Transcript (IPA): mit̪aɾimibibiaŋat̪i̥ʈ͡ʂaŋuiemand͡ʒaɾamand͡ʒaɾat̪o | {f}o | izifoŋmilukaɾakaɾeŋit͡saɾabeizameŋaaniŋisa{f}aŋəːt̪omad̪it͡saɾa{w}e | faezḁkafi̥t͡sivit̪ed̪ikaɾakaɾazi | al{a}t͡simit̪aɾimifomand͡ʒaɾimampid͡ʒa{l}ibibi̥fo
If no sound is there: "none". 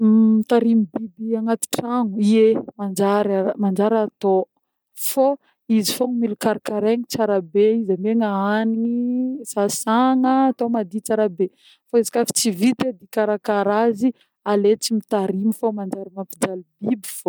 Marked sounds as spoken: f, s, b, e, l

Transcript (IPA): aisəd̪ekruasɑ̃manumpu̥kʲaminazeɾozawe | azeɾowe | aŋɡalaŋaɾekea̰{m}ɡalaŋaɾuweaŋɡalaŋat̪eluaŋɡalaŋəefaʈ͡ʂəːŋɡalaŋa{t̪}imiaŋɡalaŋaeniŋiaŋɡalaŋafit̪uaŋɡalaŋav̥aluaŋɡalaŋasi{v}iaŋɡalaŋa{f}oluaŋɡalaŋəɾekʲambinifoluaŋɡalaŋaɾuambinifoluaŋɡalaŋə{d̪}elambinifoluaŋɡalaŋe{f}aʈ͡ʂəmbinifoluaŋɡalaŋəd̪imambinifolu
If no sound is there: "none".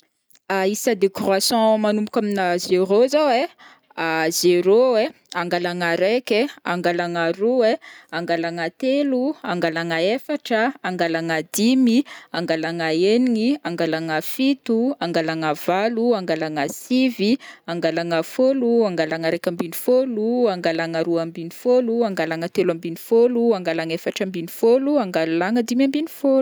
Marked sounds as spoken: ŋ, d̪, v, f, t̪, f

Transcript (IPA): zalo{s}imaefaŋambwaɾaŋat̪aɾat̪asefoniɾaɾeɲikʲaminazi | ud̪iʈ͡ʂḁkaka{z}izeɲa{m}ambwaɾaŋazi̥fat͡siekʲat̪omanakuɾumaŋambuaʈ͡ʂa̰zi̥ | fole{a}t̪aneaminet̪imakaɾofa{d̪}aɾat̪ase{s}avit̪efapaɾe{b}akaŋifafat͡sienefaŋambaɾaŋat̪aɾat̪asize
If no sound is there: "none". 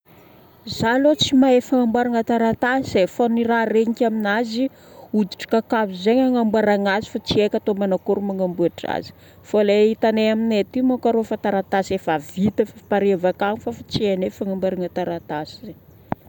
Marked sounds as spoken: t͡s, v, ŋ, i, t̪, f, v

